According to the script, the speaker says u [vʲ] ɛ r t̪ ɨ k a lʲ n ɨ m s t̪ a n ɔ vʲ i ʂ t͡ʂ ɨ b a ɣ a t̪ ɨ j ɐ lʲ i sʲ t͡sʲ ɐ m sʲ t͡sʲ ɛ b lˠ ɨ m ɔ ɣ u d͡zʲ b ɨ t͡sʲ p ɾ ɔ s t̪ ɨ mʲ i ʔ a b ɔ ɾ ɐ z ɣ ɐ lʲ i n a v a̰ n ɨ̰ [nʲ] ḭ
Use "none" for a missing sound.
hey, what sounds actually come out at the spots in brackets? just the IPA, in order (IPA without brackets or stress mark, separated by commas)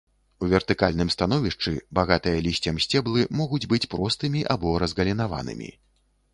vʲ, mʲ